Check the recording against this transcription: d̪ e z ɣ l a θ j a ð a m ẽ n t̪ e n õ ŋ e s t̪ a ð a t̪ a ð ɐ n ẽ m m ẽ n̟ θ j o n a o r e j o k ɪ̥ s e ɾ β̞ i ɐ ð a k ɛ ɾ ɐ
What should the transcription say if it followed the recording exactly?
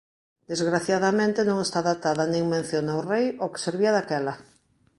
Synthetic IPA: d̪ e z ɣ ɾ a θ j a ð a m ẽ n t̪ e n õ ŋ e s t̪ a ð a t̪ a ð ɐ n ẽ ŋ m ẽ n̟ θ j o n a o r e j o k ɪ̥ s e ɾ β̞ i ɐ ð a k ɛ l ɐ